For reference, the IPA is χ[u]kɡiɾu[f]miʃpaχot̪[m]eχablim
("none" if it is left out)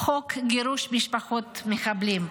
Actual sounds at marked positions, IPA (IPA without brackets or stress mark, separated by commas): o, ʃ, m